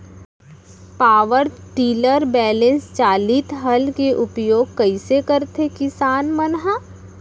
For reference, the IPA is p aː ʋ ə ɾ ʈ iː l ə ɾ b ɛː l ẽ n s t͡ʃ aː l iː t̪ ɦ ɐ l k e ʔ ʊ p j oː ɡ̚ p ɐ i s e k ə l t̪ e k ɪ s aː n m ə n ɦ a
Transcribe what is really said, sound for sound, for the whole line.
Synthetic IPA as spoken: p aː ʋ ə ɾ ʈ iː l ə ɾ b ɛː l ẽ n s t͡ʃ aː l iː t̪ ɦ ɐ l k e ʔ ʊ p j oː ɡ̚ k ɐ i s e k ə ɾ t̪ e k ɪ s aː n m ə n ɦ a